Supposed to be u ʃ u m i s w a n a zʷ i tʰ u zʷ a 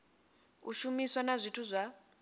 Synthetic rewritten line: u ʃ u m i s w a n a zʷ i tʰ u zʷ a

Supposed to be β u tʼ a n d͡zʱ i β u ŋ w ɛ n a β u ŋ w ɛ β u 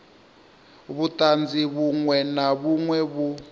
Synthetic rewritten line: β u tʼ a n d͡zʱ i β u ŋ w ɛ n a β u ŋ w ɛ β u

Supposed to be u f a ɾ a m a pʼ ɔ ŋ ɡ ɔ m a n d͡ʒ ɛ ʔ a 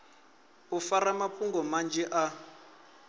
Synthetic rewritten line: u f a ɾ a m a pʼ u ŋ ɡ ɔ m a n d͡ʒ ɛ ʔ a

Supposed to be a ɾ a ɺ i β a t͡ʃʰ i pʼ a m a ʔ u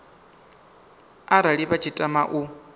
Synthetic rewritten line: a ɾ a ɺ i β a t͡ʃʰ i tʼ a m a ʔ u

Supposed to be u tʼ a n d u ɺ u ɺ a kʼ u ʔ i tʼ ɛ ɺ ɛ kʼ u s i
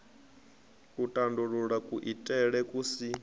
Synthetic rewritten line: u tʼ a n d u ɺ u ɺ a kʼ u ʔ i tʼ ɛ ɺ ɛ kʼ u s i

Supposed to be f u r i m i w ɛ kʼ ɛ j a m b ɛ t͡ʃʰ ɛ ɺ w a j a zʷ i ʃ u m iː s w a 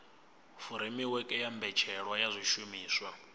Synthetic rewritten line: f u ɾ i m i w ɛ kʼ ɛ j a m b ɛ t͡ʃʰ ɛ ɺ w a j a zʷ i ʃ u m iː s w a

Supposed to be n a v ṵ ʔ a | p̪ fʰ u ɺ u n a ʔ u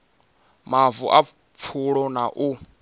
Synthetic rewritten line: m a v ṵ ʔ a | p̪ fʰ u ɺ ɔ n a ʔ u

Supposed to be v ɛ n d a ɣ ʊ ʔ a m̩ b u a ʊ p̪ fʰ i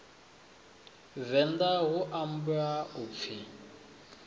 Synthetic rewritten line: v ɛ n d a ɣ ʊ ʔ a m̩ b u a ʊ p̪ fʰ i

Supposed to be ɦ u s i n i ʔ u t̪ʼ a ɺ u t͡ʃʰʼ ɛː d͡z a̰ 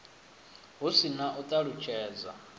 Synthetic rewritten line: ɦ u s i n a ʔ u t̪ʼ a ɺ u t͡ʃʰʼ ɛː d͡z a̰

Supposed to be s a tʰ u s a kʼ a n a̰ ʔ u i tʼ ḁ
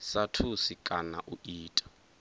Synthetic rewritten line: s a tʰ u s i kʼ a n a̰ ʔ u iː tʼ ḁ

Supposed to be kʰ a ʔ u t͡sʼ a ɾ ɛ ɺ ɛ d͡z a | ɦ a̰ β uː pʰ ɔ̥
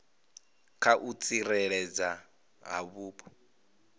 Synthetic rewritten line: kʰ a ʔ u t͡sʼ i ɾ ɛ ɺ ɛ d͡z a | ɦ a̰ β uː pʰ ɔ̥

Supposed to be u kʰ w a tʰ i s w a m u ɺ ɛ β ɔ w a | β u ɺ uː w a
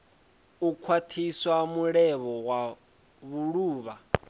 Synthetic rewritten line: u kʰ w a tʰ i s w a m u ɺ ɛ β ɔ w a | β u ɺ uː β a

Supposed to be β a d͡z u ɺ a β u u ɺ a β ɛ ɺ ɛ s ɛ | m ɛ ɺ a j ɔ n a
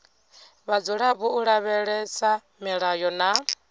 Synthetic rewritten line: β a d͡z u ɺ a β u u ɺ a β ɛ ɺ ɛ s a | m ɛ ɺ a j ɔ n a

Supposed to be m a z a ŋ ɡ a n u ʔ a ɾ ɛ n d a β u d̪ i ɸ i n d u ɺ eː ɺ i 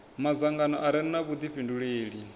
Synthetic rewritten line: m a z a ŋ ɡ a n ɔ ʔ a ɾ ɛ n n a β u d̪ i ɸ i n d u ɺ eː ɺ i

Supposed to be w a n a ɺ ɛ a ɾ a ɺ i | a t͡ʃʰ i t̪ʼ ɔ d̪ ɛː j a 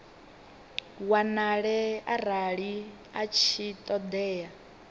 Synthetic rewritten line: w a n a ɺ ɛ a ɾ a ɺ i | a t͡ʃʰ i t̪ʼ ɔ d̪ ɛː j a

